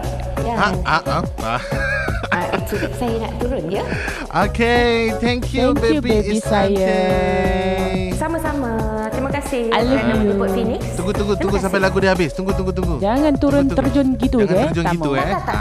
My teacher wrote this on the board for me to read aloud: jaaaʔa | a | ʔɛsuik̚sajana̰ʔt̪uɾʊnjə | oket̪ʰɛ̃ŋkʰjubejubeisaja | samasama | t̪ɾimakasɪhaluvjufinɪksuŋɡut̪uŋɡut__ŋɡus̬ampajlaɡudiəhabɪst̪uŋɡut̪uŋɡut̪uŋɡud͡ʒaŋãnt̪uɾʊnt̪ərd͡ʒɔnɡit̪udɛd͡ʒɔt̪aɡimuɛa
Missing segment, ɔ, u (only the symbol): u